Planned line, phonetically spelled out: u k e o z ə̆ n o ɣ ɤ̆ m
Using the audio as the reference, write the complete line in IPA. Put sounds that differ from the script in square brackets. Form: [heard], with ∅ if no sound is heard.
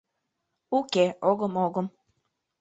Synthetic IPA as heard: u k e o [ɣ] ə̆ [m] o ɣ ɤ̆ m

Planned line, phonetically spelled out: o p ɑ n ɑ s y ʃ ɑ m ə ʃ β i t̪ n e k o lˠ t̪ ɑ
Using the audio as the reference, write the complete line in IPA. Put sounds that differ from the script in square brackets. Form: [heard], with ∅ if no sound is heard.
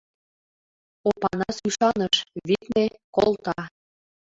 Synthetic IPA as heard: o p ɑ n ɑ s y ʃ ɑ [n] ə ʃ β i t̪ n e k o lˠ t̪ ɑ

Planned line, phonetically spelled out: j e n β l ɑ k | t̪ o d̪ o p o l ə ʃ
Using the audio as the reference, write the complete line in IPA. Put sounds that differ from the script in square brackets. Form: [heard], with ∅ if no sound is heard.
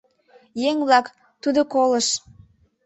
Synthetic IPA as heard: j e [ŋ] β l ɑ k | t̪ [u] d̪ o [k] o l ə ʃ

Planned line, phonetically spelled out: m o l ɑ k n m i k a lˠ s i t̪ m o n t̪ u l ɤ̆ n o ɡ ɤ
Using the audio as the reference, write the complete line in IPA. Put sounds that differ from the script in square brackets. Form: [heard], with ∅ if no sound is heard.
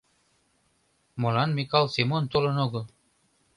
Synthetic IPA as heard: m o l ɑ [∅] n m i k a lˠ s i [∅] m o n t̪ [o] l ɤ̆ n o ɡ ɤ

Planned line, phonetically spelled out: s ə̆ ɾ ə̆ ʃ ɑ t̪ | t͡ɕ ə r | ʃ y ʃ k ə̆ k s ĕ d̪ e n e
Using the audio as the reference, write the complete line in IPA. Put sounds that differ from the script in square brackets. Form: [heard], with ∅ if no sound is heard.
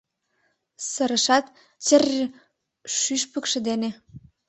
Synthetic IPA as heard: s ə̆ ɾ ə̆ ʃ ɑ t̪ | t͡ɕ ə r | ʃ y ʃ [p] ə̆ k [ʃ] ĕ d̪ e n e

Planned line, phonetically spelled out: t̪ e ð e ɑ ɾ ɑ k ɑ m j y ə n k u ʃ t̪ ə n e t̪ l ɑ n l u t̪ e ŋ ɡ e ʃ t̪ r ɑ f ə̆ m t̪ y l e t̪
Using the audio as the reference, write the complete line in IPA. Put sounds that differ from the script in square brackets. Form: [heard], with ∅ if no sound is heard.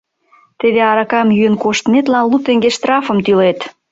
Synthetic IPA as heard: t̪ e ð e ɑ ɾ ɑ k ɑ m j y ə n k [o] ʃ t̪ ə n e t̪ l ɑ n l u t̪ e ŋ ɡ e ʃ t̪ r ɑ f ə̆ m t̪ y l e t̪

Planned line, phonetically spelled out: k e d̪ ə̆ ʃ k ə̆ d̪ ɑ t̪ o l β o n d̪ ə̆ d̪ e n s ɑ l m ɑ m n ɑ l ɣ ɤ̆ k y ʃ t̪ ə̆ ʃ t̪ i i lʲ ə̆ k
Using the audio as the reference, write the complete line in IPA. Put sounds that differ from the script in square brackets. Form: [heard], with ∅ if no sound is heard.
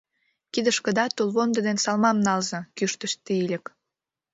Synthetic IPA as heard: k [i] d̪ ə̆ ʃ k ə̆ d̪ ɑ t̪ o l β o n d̪ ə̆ d̪ e n s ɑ l m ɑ m n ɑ l [z] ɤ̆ k y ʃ t̪ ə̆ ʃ t̪ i i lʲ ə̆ k

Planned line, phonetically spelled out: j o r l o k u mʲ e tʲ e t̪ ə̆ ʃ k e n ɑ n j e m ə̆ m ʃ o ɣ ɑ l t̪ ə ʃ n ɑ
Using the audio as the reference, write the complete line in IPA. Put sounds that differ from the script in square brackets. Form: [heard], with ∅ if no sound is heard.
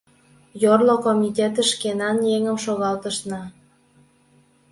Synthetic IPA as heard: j o r l o k [o] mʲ [i] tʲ e t̪ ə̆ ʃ k e n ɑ n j e [ŋ] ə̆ m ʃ o ɣ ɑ l t̪ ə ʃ n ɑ

